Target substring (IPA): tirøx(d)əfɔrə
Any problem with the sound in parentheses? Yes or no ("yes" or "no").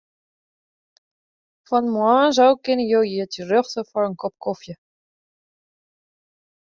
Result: yes